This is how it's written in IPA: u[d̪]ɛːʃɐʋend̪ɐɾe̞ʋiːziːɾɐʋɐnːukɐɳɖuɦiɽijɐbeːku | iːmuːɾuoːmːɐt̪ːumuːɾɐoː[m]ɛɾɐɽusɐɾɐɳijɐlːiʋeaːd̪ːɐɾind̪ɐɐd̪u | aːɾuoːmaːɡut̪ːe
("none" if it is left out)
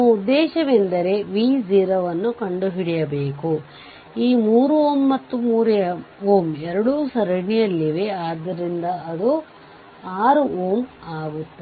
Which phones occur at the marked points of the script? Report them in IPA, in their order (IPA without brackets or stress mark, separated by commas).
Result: d̪ː, m